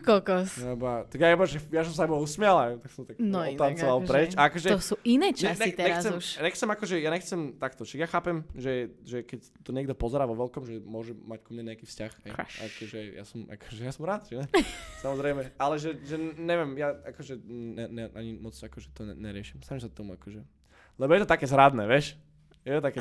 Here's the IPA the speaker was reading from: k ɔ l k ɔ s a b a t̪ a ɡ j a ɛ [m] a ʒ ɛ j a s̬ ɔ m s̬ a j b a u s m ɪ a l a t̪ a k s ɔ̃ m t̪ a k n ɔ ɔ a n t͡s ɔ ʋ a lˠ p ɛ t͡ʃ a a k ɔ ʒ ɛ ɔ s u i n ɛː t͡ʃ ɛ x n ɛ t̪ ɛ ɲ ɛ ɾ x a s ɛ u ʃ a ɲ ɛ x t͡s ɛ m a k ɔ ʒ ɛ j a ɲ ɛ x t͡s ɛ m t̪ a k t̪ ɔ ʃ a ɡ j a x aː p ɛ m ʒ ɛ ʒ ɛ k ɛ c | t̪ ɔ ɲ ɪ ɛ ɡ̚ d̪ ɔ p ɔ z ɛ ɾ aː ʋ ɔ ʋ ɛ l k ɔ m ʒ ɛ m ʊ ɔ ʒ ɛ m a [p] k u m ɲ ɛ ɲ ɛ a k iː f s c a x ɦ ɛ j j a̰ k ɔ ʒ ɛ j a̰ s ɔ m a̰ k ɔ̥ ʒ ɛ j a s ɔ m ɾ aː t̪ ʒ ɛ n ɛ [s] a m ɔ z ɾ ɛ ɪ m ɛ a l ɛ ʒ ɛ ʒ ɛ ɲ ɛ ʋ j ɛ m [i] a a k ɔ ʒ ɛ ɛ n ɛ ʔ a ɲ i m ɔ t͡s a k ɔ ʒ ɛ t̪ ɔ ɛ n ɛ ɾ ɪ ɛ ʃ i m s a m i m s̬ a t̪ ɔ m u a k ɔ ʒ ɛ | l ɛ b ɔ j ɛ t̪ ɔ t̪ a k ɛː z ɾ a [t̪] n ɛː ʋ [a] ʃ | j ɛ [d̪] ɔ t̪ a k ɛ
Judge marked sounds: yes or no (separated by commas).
no, no, yes, no, no, no, no